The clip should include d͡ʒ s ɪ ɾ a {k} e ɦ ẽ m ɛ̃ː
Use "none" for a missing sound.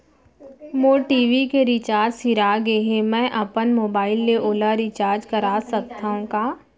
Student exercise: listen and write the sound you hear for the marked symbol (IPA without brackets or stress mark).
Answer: ɡ